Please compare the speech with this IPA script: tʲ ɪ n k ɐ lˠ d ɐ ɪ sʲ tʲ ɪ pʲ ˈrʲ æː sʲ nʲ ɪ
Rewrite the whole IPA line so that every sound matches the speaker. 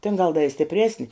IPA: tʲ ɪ n ɡ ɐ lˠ d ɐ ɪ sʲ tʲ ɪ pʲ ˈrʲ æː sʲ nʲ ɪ